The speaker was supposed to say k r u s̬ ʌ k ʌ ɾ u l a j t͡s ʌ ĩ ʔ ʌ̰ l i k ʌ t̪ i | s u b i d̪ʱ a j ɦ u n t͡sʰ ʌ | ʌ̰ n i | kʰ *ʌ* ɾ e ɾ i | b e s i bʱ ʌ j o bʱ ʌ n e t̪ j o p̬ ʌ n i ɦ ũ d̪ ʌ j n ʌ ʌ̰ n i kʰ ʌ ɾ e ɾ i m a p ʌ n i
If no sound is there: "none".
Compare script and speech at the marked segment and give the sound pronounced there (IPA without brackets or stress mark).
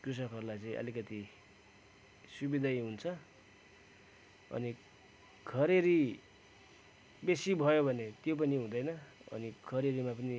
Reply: ʌ